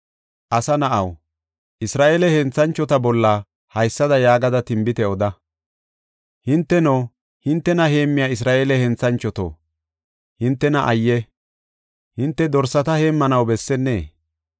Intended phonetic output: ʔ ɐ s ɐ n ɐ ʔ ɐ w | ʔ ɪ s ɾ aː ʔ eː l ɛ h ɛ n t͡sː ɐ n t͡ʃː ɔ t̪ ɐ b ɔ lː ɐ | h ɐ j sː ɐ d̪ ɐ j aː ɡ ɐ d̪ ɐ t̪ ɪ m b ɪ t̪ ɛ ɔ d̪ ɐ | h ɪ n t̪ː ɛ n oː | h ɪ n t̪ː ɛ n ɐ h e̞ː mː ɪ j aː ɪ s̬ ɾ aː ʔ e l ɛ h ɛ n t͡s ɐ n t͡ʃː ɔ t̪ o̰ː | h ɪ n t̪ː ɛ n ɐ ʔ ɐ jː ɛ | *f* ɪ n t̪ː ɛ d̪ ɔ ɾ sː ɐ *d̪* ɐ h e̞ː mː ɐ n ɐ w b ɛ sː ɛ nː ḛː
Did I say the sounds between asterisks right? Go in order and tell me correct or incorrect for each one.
incorrect, incorrect

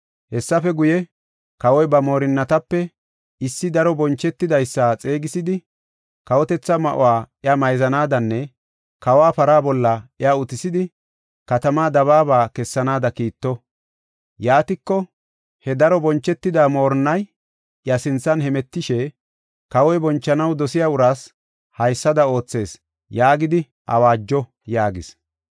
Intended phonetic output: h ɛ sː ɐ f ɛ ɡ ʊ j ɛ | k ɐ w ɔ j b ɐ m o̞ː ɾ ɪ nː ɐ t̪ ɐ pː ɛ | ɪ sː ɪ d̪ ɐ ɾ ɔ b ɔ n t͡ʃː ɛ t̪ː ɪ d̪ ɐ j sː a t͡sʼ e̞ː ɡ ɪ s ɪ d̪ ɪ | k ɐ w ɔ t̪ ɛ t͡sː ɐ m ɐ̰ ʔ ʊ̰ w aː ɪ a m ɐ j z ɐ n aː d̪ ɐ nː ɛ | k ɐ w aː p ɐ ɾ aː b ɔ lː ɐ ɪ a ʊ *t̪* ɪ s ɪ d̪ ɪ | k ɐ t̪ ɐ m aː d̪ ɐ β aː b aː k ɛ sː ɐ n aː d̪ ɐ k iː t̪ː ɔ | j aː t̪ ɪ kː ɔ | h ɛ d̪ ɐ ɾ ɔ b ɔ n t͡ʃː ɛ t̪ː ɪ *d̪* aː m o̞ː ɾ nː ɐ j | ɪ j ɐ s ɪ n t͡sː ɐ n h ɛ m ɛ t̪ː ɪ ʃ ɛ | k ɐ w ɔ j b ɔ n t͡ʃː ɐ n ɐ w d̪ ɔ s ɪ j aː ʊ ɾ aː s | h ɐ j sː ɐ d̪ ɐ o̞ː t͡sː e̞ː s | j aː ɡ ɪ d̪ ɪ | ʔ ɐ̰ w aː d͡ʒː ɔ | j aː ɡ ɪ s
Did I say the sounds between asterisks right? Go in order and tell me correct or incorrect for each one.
correct, correct

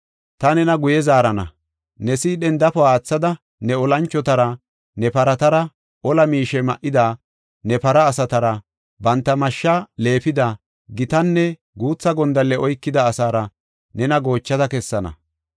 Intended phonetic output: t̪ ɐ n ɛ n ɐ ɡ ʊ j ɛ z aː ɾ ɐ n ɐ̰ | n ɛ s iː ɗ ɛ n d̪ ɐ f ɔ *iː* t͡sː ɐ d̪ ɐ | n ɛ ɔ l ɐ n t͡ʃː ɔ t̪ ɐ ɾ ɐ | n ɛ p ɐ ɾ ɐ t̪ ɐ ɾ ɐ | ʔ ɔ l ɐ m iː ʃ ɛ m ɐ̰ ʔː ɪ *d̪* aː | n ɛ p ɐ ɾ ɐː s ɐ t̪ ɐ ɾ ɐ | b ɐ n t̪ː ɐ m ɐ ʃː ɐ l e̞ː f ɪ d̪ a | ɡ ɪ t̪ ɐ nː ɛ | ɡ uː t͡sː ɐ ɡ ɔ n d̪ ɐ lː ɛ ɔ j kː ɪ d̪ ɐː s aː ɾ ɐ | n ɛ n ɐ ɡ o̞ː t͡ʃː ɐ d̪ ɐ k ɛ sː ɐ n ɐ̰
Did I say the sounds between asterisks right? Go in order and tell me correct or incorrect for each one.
incorrect, correct

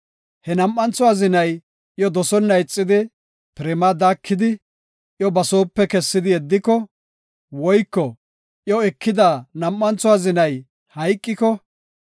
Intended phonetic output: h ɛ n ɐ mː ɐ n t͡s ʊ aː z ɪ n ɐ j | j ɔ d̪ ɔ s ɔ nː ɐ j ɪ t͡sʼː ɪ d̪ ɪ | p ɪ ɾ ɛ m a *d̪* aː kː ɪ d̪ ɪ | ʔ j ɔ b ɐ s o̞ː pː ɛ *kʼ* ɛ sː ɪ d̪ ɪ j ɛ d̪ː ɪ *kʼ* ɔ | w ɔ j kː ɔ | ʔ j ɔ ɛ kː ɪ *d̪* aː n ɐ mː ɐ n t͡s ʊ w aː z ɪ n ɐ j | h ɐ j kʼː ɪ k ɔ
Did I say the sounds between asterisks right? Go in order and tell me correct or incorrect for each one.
correct, incorrect, incorrect, correct

